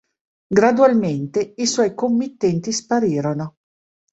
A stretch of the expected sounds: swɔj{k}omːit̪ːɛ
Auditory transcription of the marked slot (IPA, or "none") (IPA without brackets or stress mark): k